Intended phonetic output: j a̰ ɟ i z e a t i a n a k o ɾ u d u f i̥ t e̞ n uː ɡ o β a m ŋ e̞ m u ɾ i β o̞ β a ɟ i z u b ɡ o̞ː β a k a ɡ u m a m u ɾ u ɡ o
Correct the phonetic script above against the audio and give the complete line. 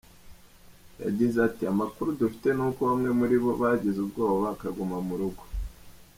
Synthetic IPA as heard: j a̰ ɟ i z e a t i a m a k u ɾ u d u f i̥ t e̞ n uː k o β a m ŋ e̞ m u ɾ i β o̞ β a ɟ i z u b ɡ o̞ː β a k a ɡ u m a m u ɾ u ɡ o